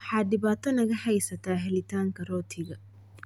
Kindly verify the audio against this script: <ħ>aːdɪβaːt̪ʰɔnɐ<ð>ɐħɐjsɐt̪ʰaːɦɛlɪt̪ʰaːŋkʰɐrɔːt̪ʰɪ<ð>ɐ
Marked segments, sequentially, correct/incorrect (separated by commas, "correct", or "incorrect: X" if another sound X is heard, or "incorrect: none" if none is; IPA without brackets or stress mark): correct, incorrect: ɣ, incorrect: ɣ